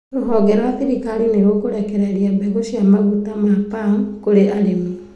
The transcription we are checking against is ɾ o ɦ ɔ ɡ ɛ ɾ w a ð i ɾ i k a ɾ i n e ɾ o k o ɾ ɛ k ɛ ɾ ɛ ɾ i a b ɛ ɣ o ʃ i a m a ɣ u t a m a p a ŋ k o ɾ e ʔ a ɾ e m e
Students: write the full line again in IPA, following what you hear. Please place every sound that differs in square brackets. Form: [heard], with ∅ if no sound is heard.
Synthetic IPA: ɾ o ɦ ɔ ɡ ɛ ɾ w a [θ] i ɾ i k a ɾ i n e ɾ o k o ɾ ɛ k ɛ ɾ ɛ ɾ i a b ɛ ɣ o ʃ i a m a ɣ u t a m a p a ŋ k o ɾ e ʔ a ɾ e m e